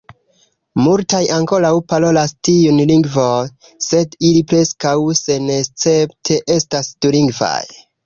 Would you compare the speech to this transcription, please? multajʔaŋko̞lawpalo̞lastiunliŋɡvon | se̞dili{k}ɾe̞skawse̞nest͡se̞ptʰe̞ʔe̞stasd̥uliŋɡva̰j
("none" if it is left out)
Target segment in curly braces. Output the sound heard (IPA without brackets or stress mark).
p